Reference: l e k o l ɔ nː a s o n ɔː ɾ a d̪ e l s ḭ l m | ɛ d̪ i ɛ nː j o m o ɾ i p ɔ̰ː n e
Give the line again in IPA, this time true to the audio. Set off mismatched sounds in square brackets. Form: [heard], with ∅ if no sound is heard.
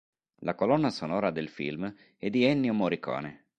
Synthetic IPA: l [a] k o l ɔ nː a s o n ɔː ɾ a d̪ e l [f] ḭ l m | ɛ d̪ i ɛ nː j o m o ɾ i [k] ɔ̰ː n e